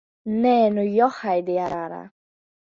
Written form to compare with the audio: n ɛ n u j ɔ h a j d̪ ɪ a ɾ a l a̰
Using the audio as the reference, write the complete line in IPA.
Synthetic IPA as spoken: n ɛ n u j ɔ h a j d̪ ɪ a ɾ a ɾ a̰